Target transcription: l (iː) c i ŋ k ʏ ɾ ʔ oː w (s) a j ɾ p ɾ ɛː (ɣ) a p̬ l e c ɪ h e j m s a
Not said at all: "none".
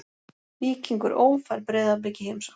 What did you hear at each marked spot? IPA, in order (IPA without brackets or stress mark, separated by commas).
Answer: iː, f, ð